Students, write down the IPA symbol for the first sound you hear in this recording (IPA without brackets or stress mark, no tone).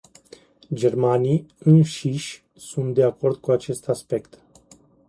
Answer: d͡ʒ